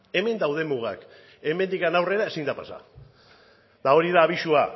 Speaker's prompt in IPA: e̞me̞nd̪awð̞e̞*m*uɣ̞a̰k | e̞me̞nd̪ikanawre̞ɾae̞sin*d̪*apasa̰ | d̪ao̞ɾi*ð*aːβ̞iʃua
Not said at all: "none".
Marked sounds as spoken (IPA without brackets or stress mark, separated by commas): m, d̪, ð